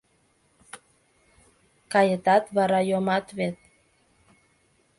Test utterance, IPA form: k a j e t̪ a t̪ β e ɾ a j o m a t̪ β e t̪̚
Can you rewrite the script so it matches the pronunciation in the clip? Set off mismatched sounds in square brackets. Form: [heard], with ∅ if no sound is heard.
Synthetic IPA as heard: k a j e t̪ a t̪ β [a] ɾ a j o m a t̪ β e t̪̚